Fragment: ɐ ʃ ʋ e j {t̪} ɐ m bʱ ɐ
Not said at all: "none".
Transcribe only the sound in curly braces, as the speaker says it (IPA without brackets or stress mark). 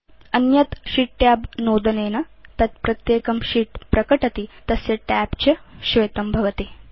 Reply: t̪